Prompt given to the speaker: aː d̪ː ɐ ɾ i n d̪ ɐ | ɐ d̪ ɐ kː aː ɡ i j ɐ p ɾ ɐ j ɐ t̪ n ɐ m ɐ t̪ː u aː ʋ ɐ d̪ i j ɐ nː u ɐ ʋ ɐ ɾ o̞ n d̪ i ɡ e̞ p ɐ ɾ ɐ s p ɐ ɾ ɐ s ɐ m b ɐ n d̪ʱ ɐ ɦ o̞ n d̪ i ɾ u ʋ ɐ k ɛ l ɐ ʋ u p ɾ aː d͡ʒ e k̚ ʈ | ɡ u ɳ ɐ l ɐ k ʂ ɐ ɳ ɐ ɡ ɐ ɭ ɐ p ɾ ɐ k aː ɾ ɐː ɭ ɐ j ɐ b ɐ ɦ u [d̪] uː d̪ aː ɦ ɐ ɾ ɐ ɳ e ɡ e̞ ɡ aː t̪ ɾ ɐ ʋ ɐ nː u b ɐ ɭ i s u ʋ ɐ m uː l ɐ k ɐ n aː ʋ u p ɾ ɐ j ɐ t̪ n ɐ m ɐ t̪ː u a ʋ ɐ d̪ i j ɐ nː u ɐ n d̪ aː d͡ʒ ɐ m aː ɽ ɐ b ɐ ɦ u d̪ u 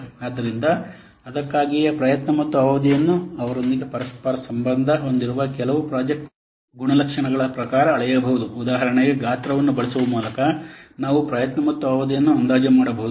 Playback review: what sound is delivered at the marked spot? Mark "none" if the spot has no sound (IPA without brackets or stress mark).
d̪